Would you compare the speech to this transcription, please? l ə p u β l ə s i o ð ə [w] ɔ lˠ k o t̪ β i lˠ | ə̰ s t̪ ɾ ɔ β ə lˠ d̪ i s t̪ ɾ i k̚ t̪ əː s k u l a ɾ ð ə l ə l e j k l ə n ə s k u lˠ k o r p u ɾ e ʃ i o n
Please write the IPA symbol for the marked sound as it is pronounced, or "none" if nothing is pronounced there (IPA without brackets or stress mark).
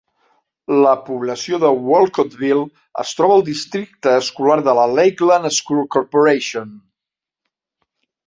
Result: w